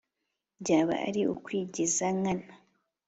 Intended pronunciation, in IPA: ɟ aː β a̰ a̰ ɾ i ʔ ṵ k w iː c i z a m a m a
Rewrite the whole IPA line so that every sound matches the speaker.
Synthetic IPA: ɟ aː β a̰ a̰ ɾ i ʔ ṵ k w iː ɟ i z a ŋ a n a